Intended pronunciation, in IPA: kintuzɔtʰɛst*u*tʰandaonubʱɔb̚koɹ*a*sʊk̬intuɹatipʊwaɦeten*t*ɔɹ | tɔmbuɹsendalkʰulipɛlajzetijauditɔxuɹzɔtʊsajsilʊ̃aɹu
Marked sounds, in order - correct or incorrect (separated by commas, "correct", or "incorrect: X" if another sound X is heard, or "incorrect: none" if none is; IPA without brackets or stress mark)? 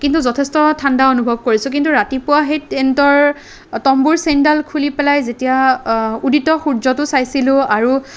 incorrect: ɔ, incorrect: i, correct